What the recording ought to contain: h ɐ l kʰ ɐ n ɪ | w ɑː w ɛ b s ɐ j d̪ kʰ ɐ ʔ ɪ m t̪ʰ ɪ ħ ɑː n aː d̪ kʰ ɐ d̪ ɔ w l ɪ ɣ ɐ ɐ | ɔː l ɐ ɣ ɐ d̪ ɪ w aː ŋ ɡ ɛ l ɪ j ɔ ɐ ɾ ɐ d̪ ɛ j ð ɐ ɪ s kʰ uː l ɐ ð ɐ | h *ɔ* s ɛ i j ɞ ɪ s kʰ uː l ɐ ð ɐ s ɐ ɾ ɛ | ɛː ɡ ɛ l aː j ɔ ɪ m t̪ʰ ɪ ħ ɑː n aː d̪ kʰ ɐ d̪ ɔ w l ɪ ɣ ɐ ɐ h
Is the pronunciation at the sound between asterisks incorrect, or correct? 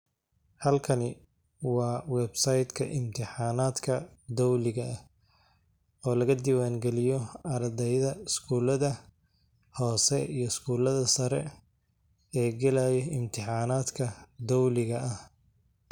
incorrect